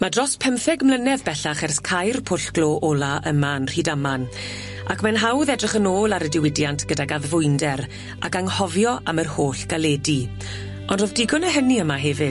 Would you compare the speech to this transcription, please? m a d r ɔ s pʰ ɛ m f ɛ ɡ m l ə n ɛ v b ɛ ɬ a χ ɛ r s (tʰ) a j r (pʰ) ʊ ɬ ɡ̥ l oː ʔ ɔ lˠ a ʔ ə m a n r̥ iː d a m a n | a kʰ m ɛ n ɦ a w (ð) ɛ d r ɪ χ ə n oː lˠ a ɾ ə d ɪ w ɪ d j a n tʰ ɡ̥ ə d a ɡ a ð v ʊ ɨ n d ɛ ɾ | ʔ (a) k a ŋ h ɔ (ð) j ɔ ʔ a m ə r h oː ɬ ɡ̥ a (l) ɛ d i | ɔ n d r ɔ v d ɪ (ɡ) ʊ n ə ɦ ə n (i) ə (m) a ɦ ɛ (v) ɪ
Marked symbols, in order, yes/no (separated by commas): no, yes, yes, yes, no, yes, yes, yes, yes, yes